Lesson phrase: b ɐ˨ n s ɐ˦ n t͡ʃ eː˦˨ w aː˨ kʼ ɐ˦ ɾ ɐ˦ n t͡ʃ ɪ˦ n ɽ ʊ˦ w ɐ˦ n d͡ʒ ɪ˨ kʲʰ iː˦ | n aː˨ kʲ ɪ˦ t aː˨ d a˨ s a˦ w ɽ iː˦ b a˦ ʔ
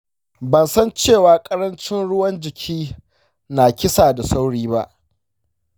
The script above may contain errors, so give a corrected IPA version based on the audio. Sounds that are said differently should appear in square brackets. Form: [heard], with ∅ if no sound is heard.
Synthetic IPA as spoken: b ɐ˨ n s ɐ˦ n t͡ʃ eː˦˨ w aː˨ kʼ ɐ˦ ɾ ɐ˦ n t͡ʃ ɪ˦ n ɽ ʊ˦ w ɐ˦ n d͡ʒ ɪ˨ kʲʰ iː˦ | n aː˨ kʲ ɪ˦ [s] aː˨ d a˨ s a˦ w ɽ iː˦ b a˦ ʔ